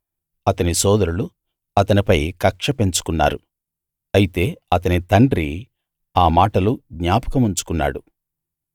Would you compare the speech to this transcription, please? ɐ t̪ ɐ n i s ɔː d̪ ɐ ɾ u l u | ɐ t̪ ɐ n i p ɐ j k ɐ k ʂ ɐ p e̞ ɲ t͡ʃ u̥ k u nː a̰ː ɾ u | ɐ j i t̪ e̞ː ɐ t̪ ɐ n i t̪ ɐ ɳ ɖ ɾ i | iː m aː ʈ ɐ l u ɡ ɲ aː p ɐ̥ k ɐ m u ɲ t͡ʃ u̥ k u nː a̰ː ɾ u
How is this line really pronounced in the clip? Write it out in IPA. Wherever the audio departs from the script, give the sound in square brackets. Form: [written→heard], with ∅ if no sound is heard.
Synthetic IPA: ɐ t̪ ɐ n i s ɔː d̪ ɐ ɾ u l u | ɐ t̪ ɐ n i p ɐ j k ɐ k ʂ ɐ p e̞ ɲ t͡ʃ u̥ k u nː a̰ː ɾ u | ɐ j i t̪ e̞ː ɐ t̪ ɐ n i t̪ ɐ ɳ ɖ ɾ i | [iː→aː] m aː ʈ ɐ l u ɡ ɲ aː p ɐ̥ k ɐ m u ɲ t͡ʃ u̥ k u nː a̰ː [ɾ→ɽ] u